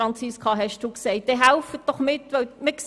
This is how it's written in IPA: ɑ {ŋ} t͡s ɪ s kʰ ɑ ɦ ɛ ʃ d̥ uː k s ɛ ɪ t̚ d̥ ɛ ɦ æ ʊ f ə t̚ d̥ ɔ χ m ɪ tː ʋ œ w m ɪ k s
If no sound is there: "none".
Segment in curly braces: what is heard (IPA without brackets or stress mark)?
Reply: n